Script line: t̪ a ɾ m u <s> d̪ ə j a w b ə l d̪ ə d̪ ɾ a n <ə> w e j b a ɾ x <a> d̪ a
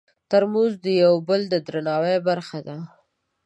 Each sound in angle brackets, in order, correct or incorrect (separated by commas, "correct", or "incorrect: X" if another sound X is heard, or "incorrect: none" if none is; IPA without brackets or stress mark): incorrect: z, incorrect: ɑ, correct